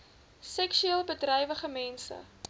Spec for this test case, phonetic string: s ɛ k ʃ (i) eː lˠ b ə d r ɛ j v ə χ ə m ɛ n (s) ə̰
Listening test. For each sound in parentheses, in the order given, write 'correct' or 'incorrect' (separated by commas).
incorrect, correct